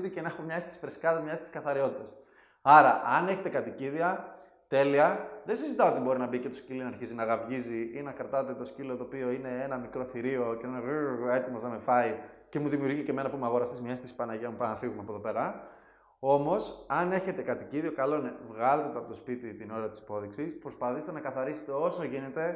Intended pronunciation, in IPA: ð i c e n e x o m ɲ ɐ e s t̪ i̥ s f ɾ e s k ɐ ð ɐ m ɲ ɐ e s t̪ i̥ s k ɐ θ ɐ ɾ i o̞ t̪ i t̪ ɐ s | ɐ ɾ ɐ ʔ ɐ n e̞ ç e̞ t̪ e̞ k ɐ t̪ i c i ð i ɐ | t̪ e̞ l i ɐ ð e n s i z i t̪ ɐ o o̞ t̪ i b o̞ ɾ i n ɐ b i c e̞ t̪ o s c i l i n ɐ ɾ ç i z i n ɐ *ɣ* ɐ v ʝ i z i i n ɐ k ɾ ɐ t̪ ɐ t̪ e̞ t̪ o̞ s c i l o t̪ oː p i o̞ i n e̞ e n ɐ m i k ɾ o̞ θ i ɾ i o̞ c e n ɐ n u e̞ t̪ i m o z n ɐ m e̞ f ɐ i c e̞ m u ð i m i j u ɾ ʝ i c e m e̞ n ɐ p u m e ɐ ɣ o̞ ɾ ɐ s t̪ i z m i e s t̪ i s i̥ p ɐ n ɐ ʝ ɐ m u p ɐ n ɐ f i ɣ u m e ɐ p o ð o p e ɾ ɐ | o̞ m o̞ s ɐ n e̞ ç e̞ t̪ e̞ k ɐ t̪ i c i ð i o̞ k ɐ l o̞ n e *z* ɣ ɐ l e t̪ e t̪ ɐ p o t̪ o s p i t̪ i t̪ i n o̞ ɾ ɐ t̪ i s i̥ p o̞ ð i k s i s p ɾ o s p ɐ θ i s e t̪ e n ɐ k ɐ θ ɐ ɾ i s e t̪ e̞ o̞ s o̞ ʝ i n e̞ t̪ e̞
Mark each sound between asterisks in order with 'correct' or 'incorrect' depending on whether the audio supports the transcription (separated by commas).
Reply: correct, incorrect